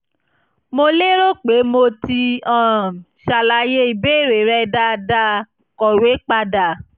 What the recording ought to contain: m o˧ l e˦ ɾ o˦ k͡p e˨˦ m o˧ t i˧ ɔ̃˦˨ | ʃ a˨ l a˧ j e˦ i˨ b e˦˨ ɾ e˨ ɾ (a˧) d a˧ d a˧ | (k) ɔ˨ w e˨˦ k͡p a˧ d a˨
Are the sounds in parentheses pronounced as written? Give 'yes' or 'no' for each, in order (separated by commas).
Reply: no, yes